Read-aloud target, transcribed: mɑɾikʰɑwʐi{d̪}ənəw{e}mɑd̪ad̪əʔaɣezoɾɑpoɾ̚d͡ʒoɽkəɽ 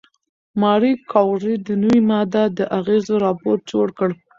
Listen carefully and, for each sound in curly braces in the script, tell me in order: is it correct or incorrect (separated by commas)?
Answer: correct, incorrect